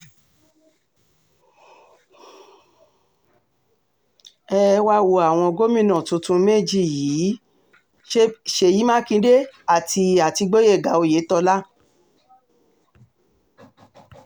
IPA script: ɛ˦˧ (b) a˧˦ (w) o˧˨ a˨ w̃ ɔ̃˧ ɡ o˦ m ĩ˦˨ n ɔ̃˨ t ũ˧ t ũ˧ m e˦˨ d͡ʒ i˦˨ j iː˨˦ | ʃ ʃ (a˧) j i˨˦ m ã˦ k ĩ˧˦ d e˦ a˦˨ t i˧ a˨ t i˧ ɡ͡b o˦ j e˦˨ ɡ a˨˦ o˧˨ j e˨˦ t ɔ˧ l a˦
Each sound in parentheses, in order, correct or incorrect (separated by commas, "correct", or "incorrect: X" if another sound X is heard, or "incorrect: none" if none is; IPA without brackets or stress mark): incorrect: w, correct, incorrect: e˧